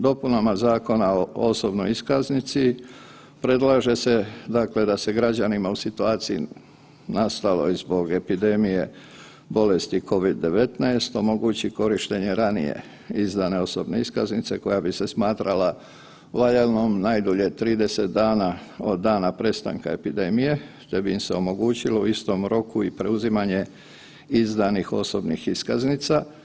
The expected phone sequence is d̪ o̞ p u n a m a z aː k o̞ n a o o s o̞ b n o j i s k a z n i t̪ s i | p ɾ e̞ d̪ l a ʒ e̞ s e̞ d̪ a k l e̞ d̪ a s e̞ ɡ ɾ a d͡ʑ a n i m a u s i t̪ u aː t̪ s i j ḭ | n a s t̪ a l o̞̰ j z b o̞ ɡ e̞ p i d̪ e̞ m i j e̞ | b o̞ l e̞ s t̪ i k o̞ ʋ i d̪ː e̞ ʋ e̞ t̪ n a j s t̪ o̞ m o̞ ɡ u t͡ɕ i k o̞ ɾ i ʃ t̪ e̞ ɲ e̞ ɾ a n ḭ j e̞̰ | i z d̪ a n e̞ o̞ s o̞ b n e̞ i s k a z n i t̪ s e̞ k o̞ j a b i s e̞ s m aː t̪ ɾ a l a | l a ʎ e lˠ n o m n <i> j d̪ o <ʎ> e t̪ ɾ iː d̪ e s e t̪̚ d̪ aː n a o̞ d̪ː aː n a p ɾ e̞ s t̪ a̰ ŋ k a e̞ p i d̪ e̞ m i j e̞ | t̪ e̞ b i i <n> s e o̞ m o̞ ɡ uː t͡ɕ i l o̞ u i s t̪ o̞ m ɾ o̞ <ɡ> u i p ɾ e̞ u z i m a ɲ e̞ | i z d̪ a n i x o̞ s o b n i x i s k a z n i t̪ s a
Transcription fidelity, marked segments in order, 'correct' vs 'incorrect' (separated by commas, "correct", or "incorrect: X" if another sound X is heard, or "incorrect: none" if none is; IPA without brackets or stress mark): incorrect: a, correct, incorrect: m, incorrect: k